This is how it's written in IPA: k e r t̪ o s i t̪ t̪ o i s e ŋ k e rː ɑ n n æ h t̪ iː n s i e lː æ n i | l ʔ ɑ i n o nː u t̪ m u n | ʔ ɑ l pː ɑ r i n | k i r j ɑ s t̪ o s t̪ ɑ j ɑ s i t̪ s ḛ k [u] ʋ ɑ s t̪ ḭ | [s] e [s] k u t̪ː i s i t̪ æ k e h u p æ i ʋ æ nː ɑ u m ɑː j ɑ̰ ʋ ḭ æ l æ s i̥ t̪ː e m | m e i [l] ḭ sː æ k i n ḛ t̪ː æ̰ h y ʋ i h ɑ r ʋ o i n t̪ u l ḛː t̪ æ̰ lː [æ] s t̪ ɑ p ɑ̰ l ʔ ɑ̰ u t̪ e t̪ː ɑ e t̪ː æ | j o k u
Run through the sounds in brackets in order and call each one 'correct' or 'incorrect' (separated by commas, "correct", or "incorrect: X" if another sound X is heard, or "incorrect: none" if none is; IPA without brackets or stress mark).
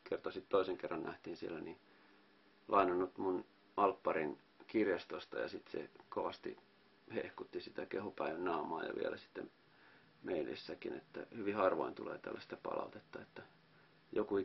incorrect: o, incorrect: h, incorrect: h, correct, correct